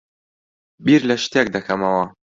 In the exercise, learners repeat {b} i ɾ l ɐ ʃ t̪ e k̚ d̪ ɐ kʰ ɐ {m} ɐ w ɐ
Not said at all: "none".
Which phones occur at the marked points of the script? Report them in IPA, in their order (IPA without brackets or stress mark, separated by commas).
b, m